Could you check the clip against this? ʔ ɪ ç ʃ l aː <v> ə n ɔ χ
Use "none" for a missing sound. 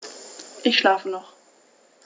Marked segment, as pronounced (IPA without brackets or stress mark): f